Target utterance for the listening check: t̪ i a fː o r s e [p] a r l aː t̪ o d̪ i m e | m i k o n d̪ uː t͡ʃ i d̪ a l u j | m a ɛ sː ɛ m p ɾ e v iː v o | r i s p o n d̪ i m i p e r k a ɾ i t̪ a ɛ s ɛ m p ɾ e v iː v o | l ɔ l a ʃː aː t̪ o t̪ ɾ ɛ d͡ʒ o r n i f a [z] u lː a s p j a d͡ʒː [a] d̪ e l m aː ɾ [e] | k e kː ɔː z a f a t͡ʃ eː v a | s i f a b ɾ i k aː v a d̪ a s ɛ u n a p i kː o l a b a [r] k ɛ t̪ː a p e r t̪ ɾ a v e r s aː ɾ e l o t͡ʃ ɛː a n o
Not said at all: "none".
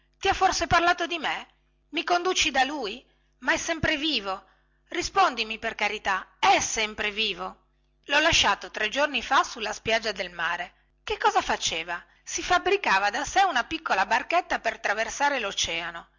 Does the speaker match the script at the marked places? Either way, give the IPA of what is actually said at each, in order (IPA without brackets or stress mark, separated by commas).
p, s, a, e, r